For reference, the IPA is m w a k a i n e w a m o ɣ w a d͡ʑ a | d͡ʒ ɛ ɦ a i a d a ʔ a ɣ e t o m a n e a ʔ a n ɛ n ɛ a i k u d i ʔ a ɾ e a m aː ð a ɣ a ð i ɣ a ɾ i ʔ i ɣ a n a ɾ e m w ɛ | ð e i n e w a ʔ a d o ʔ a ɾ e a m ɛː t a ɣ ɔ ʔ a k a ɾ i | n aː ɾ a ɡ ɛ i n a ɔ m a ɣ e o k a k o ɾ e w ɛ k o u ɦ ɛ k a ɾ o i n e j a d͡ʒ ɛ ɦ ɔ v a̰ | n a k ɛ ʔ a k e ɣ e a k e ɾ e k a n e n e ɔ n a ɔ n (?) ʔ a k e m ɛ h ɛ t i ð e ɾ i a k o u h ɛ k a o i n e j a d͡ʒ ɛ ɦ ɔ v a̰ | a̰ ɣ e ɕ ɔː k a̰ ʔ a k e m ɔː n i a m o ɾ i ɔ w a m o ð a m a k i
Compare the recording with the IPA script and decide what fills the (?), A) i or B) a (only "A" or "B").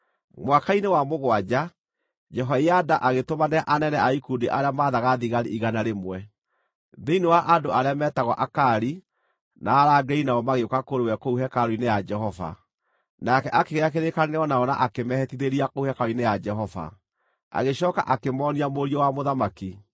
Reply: B